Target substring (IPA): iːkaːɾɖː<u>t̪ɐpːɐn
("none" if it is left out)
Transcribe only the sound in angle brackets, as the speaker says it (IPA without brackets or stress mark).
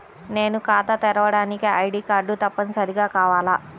u